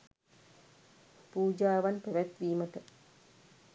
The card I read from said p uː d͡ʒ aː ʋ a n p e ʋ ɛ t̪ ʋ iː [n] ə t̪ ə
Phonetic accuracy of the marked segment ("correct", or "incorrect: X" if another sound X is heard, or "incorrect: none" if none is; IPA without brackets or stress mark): incorrect: m